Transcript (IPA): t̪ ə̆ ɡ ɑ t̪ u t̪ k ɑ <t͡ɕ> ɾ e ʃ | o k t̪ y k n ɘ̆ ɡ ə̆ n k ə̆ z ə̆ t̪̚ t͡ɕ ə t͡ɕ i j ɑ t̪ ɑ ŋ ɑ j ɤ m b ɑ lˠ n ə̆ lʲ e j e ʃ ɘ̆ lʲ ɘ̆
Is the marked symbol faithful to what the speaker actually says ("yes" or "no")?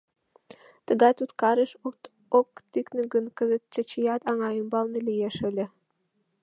no